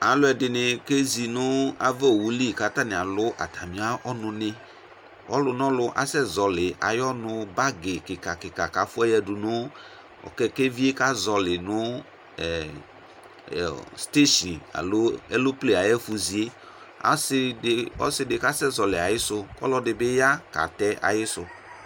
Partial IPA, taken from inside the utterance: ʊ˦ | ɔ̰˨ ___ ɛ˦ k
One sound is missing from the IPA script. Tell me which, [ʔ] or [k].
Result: k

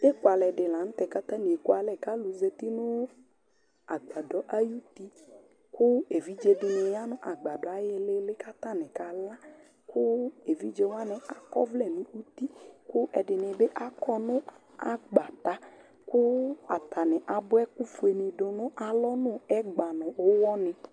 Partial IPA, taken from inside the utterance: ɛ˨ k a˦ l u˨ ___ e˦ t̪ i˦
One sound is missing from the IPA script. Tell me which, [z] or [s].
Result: z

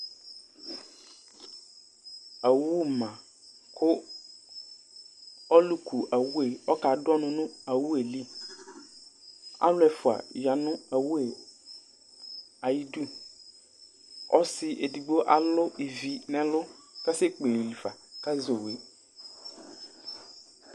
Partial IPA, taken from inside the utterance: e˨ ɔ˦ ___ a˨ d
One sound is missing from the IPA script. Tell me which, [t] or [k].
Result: k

